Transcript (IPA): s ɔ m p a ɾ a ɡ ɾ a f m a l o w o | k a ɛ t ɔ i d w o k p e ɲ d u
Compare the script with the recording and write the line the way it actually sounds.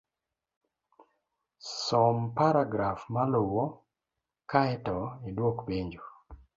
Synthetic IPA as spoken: s ɔ m p a ɾ a ɡ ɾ a f m a l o w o | k a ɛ t ɔ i d w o k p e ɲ d͡ʒ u